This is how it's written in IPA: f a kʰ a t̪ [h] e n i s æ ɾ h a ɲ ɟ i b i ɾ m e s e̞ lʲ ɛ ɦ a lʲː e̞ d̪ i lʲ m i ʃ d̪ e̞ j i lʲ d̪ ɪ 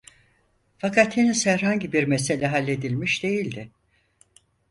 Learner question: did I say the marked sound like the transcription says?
yes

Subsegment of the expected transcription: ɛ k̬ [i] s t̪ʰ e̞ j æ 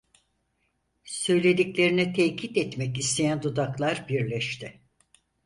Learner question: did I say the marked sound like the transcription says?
yes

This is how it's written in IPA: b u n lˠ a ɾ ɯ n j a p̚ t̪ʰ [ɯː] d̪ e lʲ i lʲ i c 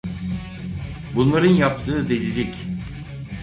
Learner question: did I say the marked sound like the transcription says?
yes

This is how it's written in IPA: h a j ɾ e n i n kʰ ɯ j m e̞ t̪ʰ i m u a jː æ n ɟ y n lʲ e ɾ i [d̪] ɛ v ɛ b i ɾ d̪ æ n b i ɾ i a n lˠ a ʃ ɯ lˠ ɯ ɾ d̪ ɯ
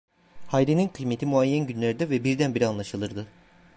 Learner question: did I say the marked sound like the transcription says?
yes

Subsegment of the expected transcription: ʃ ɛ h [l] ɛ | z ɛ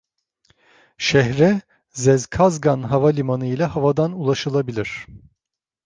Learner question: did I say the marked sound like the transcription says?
no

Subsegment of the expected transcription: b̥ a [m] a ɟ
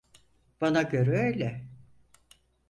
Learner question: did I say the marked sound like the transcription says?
no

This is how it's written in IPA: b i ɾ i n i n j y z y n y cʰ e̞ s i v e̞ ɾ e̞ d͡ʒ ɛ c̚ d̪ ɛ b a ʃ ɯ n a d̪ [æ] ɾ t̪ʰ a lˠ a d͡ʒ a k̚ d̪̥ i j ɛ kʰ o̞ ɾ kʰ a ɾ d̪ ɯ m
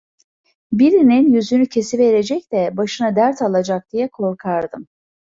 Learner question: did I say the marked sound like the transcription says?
yes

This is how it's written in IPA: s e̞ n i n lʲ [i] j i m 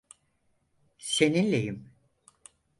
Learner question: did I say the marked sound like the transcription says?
no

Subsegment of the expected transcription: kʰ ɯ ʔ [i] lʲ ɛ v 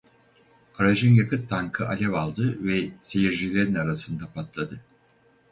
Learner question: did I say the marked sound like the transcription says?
no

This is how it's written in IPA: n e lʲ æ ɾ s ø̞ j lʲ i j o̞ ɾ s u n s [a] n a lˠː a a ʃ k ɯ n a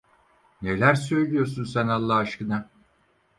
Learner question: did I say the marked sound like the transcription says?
no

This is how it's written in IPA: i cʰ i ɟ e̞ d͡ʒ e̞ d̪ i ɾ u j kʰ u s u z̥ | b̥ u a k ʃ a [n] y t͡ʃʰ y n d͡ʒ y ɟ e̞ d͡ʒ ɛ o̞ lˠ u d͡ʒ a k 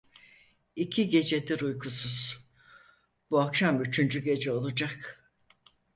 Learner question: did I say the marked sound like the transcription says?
no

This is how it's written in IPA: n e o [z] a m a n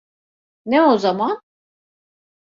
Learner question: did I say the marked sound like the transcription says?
yes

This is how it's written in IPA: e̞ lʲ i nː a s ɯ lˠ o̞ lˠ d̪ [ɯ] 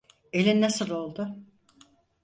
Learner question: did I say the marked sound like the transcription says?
no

